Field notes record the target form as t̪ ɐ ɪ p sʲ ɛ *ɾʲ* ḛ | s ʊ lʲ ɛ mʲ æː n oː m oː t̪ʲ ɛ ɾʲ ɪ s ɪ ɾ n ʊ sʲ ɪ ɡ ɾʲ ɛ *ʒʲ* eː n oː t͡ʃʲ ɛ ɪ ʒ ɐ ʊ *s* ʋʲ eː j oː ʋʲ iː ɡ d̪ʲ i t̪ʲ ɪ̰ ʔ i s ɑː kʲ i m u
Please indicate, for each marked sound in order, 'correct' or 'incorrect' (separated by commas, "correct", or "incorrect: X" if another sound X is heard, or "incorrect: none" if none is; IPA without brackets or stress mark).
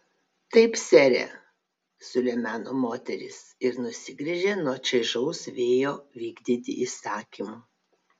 correct, correct, correct